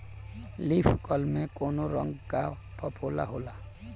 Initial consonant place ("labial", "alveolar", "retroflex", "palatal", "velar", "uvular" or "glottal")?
alveolar